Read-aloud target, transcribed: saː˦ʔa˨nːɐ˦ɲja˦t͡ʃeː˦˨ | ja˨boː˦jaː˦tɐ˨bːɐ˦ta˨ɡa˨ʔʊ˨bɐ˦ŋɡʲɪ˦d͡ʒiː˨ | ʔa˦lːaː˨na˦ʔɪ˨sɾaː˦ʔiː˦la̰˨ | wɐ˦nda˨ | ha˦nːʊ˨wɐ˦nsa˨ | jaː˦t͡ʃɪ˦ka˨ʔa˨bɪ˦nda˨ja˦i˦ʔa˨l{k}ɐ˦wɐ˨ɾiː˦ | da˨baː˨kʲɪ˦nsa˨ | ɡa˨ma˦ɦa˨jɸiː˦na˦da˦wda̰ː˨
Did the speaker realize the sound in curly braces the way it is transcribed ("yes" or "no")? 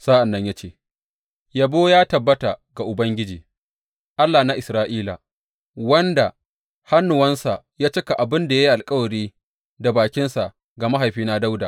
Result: no